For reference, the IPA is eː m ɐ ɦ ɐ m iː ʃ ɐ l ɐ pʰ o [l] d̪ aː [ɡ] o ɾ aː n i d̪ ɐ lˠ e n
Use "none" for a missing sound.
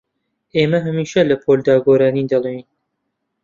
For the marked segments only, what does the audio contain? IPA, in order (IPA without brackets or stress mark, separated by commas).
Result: l, ɡ